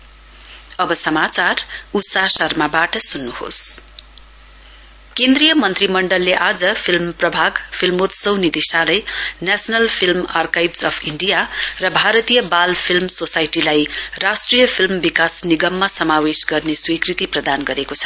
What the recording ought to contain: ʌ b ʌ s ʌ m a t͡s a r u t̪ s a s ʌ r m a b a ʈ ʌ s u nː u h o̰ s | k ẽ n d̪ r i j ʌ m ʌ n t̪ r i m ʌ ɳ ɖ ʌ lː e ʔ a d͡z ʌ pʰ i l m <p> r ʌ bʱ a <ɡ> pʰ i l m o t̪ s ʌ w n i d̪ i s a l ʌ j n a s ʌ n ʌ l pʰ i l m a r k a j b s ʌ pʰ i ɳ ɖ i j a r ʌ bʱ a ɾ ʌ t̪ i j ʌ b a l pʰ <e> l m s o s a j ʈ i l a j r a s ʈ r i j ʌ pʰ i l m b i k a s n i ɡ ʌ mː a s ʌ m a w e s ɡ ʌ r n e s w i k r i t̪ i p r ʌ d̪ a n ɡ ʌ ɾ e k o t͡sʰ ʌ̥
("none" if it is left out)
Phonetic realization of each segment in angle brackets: p, ɡ, i

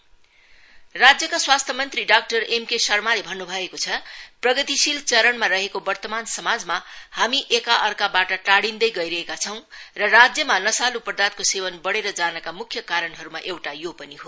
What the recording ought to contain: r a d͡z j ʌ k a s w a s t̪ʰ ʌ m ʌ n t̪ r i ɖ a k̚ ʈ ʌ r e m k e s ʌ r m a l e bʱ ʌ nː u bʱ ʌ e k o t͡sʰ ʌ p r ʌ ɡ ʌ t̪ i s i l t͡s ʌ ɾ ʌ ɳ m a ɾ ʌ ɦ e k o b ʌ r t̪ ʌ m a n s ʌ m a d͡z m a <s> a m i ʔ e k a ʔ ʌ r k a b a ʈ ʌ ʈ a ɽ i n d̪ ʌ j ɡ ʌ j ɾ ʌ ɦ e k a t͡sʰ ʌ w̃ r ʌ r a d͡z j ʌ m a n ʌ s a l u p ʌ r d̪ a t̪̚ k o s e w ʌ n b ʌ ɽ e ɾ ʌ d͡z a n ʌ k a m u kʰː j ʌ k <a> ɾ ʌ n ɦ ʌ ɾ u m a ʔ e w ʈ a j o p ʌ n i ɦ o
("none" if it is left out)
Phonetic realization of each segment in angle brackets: h, a

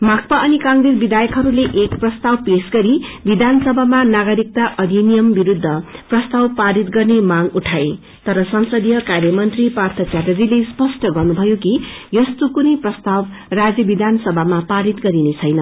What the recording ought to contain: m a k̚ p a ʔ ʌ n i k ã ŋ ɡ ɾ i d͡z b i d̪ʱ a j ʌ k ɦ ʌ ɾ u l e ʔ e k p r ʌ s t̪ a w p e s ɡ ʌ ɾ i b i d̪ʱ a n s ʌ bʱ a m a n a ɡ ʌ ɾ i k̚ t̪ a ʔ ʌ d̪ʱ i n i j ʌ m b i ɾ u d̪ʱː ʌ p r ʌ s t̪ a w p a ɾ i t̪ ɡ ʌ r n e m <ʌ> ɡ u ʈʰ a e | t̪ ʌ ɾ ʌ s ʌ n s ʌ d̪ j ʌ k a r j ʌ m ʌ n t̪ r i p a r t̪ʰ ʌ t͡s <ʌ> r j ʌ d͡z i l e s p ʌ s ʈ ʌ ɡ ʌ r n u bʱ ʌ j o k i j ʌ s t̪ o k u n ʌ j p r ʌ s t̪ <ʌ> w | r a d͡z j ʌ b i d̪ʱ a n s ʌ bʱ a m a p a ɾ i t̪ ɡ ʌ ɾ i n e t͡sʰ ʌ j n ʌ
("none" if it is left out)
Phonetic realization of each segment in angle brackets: a, a, a

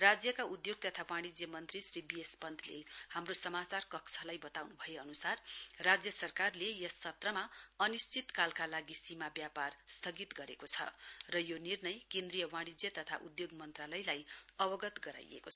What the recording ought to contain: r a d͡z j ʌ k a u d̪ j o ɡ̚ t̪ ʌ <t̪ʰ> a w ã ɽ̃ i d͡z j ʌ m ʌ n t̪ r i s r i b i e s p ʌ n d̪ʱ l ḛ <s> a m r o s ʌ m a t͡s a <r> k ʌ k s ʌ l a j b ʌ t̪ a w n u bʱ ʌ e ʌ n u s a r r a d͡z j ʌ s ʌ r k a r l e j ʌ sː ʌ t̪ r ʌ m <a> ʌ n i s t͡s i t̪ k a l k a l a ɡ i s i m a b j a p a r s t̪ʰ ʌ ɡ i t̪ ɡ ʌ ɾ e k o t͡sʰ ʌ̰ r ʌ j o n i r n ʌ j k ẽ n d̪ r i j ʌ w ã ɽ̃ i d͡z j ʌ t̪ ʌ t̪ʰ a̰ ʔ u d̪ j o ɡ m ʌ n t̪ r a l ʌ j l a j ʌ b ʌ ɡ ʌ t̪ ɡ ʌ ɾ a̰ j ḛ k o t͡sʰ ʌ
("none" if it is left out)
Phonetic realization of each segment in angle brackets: t̪ʰ, h, r, a

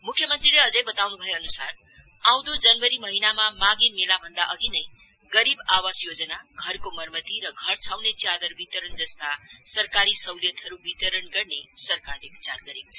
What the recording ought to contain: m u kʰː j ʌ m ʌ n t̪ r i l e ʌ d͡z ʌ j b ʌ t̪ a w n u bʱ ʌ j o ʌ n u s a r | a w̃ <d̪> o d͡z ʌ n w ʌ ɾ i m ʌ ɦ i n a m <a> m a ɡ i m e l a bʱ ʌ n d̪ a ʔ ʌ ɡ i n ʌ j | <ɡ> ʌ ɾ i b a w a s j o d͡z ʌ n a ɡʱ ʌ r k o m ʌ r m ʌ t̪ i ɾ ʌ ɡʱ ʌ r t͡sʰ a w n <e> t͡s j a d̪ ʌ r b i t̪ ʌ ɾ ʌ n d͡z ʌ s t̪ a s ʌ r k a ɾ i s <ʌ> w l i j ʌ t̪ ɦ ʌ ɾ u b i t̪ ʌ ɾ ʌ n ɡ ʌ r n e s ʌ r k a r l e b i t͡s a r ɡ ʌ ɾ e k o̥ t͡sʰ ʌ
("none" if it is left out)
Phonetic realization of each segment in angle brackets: d̪, a, ɡ, e, ʌ

